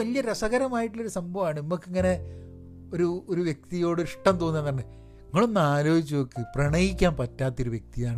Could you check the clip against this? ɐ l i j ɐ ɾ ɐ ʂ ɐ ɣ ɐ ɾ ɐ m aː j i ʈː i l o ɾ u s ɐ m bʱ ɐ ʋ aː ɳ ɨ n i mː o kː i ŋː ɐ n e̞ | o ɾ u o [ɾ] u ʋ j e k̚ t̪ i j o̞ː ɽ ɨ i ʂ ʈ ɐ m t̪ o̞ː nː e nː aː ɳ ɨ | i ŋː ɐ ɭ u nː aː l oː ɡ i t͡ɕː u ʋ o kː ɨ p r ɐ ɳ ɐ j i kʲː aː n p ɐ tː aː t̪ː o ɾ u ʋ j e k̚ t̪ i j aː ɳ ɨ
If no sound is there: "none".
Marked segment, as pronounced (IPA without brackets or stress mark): ɾ